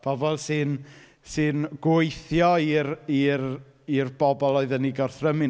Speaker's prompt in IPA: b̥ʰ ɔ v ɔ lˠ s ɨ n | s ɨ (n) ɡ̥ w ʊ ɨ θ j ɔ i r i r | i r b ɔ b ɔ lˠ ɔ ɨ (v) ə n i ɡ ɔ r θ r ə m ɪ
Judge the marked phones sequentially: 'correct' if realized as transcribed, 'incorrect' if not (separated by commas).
correct, incorrect